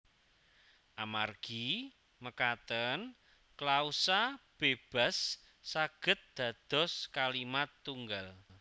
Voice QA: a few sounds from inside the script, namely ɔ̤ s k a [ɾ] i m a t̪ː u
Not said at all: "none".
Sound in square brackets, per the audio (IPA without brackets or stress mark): l